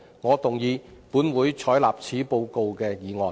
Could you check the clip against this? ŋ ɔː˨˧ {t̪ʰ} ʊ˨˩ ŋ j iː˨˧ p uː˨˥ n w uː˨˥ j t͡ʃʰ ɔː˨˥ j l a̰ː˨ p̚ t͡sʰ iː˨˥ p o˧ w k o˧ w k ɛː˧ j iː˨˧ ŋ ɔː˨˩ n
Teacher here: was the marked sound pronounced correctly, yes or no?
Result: no